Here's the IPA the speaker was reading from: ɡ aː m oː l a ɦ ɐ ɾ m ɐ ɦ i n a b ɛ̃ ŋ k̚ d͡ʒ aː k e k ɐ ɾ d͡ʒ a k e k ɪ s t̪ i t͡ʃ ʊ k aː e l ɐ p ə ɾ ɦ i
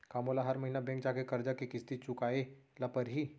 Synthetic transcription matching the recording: k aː m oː l a ɦ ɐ ɾ m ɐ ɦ i n a b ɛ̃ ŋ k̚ d͡ʒ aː k e k ɐ ɾ d͡ʒ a k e k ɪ s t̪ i t͡ʃ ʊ k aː e l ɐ p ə ɾ ɦ i